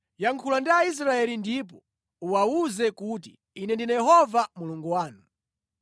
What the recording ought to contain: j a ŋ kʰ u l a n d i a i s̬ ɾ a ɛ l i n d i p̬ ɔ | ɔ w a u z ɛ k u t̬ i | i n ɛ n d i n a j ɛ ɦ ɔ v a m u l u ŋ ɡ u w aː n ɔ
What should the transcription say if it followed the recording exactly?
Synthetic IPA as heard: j a ŋ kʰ u l a n d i a i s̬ ɾ a ɛ l i n d i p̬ ɔ | u w a u z ɛ k u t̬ i | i n ɛ n d i n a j ɛ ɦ ɔ v a m u l u ŋ ɡ u w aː n u